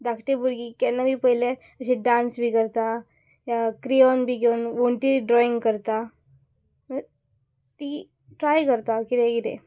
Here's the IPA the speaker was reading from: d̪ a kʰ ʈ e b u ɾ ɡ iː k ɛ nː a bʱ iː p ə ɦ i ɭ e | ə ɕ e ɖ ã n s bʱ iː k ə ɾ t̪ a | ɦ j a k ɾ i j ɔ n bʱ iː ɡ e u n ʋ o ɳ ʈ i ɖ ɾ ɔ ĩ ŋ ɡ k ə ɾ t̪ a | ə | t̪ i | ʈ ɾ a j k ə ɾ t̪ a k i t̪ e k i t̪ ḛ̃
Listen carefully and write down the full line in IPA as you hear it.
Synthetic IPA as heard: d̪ a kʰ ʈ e b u ɾ ɡ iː k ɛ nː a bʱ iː p ə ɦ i l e | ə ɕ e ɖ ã n s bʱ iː k ə ɾ t̪ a | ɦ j a k ɾ i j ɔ n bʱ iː ɡ e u n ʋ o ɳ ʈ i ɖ ɾ ɔ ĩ ŋ ɡ k ə ɾ t̪ a | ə | t̪ i | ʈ ɾ a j k ə ɾ t̪ a k i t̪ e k i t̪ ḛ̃